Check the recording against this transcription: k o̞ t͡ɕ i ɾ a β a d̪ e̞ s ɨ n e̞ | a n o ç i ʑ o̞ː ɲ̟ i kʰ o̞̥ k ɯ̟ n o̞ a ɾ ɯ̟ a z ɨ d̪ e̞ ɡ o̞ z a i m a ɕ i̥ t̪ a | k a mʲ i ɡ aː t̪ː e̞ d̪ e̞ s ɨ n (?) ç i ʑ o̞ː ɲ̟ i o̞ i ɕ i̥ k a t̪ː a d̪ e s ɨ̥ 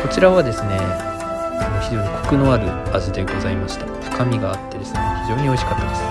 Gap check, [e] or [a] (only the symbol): e